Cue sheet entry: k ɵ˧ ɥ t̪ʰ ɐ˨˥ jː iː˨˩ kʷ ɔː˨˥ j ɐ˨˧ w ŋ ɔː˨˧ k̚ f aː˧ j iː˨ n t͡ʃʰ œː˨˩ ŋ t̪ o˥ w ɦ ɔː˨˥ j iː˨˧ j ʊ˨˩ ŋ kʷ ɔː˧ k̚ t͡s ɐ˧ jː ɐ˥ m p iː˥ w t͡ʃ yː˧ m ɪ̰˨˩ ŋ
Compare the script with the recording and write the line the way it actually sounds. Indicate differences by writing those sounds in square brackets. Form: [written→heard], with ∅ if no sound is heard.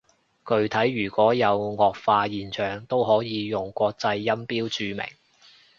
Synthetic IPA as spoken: k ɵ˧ ɥ t̪ʰ ɐ˨˥ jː [iː˨˩→yː˨˩] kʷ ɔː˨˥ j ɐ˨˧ w ŋ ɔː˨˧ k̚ f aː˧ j iː˨ n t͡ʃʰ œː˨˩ ŋ t̪ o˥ w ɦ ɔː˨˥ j iː˨˧ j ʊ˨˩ ŋ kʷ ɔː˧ k̚ t͡s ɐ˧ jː ɐ˥ m p iː˥ w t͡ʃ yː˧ m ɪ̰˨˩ ŋ